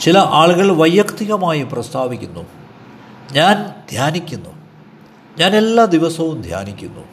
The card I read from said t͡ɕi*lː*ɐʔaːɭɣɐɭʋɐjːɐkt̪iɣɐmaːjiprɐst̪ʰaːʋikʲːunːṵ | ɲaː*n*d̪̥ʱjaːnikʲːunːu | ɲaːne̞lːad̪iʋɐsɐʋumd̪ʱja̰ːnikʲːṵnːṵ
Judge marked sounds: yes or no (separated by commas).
no, yes